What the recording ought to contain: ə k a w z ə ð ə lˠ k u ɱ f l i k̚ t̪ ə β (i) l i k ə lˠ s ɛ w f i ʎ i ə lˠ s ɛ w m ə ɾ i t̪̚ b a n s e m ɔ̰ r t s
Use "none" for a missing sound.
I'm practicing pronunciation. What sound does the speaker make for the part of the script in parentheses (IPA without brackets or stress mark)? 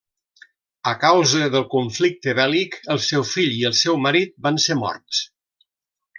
ɛ